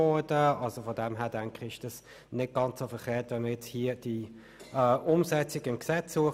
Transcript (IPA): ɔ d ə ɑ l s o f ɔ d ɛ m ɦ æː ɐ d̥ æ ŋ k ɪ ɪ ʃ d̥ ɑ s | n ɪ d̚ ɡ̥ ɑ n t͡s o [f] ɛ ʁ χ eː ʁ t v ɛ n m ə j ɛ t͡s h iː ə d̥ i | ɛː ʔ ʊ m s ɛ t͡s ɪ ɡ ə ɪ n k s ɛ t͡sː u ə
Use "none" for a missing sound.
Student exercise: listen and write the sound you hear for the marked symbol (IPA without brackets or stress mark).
f